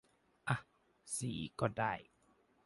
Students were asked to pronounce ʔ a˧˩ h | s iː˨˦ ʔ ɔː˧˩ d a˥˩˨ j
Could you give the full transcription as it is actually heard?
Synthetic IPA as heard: ʔ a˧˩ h | s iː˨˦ k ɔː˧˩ d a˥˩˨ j